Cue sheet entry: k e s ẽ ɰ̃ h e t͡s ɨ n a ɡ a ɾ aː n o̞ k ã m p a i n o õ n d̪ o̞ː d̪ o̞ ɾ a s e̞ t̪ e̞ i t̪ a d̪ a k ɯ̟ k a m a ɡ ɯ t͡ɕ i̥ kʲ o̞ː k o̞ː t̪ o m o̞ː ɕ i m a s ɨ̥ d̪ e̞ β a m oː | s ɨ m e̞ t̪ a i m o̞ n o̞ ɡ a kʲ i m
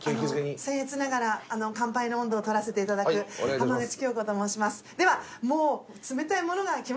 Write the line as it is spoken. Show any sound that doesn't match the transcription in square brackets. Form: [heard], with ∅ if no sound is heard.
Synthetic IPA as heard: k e s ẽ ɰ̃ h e t͡s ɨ n a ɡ a ɾ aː n o̞ k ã m p a i n o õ n d̪ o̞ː [t̪] o̞ ɾ a s e̞ t̪ e̞ i t̪ a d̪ a k ɯ̟ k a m a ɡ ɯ t͡ɕ i̥ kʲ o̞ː k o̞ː t̪ o m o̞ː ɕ i m a s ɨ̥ d̪ e̞ β a m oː | [t͡s] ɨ m e̞ t̪ a i m o̞ n o̞ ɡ a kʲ i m